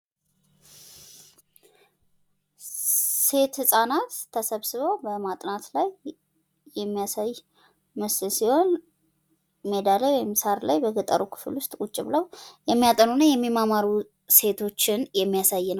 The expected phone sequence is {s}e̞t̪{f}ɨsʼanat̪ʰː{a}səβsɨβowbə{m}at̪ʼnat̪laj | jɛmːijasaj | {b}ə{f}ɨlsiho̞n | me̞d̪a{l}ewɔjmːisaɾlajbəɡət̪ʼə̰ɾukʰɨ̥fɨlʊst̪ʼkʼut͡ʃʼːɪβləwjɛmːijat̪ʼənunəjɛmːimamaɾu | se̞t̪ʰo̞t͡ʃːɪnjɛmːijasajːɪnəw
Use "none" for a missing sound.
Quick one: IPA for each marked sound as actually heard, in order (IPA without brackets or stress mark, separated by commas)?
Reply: s, h, ə, m, m, s, l